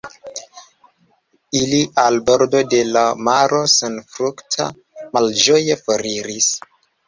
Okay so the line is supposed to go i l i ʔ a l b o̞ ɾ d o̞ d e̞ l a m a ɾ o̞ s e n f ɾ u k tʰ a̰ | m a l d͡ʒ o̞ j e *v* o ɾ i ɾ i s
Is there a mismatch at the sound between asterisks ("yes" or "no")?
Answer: yes